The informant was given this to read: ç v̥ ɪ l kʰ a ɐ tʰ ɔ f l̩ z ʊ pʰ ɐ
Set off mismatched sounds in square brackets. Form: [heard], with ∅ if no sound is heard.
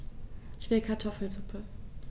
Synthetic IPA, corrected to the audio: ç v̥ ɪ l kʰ a ɐ tʰ ɔ f l̩ z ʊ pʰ [ə]